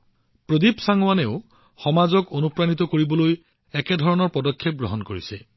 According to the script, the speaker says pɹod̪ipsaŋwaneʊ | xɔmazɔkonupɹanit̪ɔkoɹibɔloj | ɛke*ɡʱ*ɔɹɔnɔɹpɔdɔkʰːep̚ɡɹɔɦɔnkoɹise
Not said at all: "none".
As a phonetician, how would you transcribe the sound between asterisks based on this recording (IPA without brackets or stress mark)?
dʱ